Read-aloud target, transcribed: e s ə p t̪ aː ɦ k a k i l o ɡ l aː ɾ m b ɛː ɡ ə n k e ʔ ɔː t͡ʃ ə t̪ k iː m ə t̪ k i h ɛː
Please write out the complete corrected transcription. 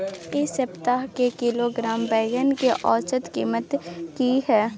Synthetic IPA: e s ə p t̪ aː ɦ k e k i l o ɡ ɾ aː m b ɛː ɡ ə n k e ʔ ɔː t͡ʃ ə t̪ k iː m ə t̪ k i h ɛː